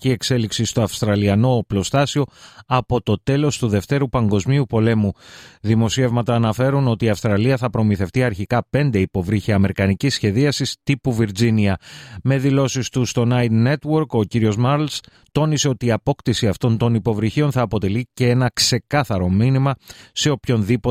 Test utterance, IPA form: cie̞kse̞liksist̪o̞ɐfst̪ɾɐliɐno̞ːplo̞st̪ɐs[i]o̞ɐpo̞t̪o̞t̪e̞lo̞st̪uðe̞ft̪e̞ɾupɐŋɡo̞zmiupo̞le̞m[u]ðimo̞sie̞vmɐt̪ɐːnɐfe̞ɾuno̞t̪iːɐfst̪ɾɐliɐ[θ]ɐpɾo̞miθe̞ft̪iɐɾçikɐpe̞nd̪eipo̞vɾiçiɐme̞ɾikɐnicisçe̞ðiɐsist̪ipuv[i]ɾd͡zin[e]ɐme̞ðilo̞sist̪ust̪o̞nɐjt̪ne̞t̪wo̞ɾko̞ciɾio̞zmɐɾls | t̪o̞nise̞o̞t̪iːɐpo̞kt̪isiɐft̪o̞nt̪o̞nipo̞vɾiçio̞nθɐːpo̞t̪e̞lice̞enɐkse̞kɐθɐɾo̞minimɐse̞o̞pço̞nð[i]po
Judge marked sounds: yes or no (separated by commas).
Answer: yes, yes, yes, yes, no, yes